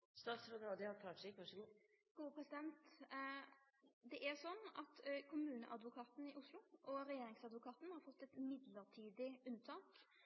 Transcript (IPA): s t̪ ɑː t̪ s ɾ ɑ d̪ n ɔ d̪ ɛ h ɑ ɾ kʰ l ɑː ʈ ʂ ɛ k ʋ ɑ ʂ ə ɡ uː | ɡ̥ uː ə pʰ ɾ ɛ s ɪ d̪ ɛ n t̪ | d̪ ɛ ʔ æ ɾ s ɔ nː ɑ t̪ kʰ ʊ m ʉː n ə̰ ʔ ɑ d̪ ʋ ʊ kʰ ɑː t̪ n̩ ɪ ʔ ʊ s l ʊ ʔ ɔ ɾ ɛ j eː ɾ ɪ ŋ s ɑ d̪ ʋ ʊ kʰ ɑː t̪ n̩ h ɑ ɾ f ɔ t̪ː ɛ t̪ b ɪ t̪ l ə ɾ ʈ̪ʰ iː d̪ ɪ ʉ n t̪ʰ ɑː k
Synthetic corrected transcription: s t̪ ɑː t̪ s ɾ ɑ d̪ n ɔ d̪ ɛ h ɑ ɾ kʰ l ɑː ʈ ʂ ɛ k ʋ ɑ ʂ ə ɡ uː | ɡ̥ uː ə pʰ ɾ ɛ s ɪ d̪ ɛ n t̪ | d̪ ɛ ʔ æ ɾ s ɔ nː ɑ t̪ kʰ ʊ m ʉː n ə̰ ʔ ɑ d̪ ʋ ʊ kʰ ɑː t̪ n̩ ɪ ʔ ʊ s l ʊ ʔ ɔ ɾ ɛ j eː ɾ ɪ ŋ s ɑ d̪ ʋ ʊ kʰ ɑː t̪ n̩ h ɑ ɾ f ɔ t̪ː ɛ t̪ m ɪ d̪ l ə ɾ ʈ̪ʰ iː d̪ ɪ ʉ n t̪ʰ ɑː k